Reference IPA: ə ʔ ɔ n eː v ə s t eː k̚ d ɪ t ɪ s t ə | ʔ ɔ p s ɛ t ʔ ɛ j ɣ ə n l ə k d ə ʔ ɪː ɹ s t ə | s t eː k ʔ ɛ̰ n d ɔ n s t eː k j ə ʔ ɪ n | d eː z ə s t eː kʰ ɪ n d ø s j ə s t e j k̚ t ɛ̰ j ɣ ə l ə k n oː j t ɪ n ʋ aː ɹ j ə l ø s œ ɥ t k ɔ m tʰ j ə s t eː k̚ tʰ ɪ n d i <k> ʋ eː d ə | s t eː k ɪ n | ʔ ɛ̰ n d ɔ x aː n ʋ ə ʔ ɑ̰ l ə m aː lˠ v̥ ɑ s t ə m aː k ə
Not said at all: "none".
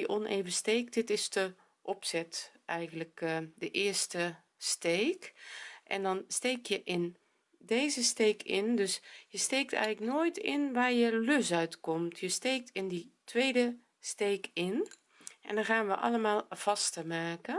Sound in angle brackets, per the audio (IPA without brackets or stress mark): t